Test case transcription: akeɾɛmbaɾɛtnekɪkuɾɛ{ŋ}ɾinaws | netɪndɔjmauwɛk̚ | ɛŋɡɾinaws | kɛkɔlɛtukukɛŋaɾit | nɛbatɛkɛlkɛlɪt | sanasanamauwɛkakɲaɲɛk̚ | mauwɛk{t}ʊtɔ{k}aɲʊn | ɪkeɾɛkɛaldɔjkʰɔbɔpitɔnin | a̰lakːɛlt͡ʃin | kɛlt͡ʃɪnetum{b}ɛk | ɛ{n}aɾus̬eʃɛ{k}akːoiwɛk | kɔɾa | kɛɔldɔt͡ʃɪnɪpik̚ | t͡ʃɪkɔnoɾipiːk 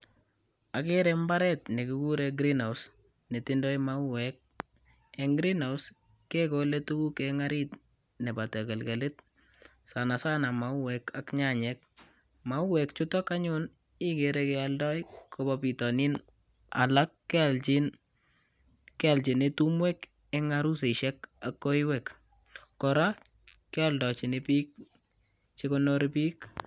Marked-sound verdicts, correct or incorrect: incorrect, incorrect, correct, incorrect, incorrect, correct

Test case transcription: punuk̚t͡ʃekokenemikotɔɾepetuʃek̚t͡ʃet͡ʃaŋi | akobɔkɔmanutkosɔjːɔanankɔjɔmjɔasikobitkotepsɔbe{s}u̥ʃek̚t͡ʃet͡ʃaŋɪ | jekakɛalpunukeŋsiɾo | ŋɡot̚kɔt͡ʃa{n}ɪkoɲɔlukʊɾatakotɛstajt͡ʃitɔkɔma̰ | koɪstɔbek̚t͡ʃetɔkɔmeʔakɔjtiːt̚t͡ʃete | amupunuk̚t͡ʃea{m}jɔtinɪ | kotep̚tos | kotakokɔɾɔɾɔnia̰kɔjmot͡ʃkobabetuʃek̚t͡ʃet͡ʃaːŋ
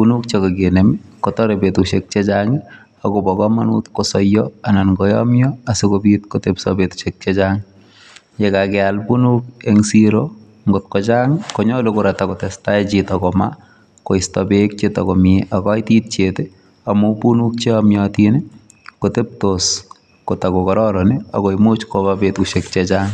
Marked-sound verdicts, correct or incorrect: incorrect, incorrect, correct

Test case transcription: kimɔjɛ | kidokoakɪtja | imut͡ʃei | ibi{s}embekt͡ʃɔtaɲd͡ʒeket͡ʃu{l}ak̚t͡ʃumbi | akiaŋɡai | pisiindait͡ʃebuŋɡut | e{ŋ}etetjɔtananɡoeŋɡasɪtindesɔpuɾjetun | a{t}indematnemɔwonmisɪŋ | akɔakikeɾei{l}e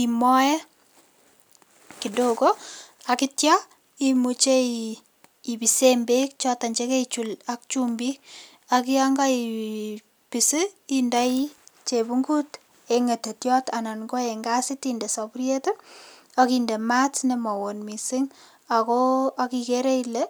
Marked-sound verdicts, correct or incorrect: correct, correct, correct, incorrect, correct

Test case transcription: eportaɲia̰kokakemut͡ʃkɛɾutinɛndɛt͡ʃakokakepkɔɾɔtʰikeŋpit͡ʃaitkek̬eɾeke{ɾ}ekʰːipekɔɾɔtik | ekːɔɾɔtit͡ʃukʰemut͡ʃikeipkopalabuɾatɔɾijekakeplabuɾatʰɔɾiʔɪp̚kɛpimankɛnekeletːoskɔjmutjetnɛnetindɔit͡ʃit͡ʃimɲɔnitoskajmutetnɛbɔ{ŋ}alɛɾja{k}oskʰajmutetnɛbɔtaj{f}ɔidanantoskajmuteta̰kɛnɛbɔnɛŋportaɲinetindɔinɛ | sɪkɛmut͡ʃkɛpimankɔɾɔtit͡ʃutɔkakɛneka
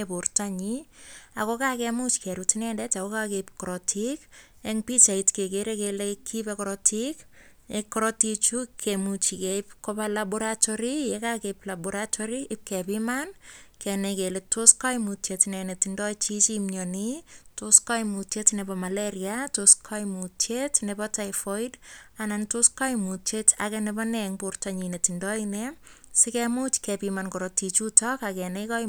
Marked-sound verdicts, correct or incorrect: incorrect, incorrect, incorrect, correct

